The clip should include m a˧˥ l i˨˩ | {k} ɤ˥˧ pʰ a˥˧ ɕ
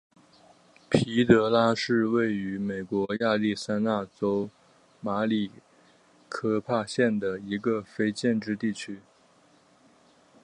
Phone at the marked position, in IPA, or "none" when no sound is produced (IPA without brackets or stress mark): kʰ